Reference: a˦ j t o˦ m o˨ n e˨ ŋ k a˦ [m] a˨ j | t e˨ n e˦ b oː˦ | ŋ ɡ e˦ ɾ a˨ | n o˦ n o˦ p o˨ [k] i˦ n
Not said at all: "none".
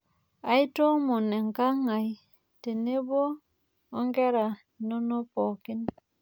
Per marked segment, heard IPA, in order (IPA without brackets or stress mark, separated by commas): ŋ, k